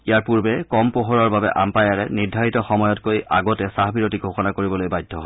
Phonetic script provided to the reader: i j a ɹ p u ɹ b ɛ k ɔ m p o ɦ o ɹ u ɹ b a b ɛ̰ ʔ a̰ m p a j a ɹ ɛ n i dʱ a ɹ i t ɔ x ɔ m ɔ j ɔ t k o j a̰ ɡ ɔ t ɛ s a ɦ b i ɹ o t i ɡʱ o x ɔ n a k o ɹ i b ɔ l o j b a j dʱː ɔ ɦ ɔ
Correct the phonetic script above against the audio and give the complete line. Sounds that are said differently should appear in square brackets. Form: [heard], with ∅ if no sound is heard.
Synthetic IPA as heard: i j a ɹ p u ɹ b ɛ k ɔ m p o ɦ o ɹ [ɔ] ɹ b a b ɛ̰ ʔ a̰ m p a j a ɹ ɛ n i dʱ a ɹ i t ɔ x ɔ m ɔ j ɔ t k o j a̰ ɡ ɔ t ɛ s a ɦ b i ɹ o t i ɡʱ o x ɔ n a k o ɹ i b ɔ l o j b a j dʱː ɔ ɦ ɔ